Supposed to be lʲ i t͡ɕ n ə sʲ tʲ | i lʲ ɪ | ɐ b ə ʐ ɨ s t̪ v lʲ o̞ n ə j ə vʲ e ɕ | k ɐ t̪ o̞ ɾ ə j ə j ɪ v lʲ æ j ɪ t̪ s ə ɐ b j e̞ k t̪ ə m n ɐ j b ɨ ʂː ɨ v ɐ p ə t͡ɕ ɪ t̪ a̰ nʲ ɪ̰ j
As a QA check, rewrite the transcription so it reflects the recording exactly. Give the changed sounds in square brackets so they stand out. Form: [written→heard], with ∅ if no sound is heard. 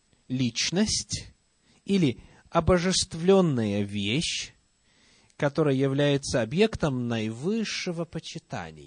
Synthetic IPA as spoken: lʲ i t͡ɕ n ə sʲ tʲ | i lʲ ɪ | ɐ b ə ʐ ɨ s t̪ v lʲ o̞ [n→nː] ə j ə vʲ e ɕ | k ɐ t̪ o̞ ɾ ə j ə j ɪ v lʲ æ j ɪ t̪ s ə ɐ b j e̞ k t̪ ə m n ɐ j [b→v] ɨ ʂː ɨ v [ɐ→ə] p ə t͡ɕ ɪ t̪ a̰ nʲ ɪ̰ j